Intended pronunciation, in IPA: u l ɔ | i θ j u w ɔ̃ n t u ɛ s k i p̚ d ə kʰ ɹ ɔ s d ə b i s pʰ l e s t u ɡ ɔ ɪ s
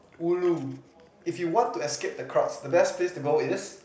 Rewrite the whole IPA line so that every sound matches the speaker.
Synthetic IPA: u l u | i f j u w ɔ̃ n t u ɛ s k e p̚ d ə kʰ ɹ ɔ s d ə b ɛ s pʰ l e s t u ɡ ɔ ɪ s